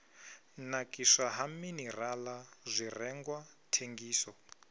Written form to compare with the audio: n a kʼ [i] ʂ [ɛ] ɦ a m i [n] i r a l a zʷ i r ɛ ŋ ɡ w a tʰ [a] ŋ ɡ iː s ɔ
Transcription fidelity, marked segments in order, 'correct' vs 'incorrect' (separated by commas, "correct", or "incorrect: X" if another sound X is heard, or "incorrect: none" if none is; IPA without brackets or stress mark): correct, incorrect: a, correct, incorrect: e